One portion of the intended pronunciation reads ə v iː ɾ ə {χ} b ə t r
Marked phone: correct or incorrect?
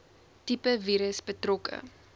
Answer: incorrect: s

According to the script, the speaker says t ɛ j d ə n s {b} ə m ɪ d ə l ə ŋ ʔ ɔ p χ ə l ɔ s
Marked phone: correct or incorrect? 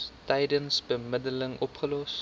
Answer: correct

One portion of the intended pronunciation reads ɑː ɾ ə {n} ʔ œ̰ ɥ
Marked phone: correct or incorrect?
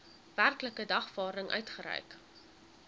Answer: incorrect: ŋ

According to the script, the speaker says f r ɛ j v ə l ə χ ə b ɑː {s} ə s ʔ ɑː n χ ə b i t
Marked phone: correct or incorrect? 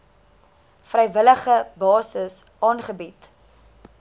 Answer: correct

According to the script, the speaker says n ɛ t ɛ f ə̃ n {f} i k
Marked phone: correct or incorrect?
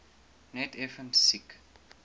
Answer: incorrect: s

